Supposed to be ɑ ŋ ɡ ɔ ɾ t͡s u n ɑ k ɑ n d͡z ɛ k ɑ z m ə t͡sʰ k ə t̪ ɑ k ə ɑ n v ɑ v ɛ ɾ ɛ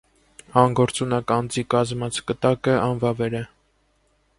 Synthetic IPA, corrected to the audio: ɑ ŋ ɡ ɔ ɾ t͡s u n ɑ k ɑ n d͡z i k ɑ z m ɑ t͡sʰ k ə t̪ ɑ k ə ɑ n v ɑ v ɛ ɾ ɛ